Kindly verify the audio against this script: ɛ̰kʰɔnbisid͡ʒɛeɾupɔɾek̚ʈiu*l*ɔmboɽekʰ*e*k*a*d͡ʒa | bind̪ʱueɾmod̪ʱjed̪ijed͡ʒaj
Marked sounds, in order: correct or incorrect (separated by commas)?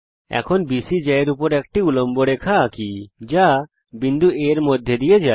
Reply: correct, incorrect, incorrect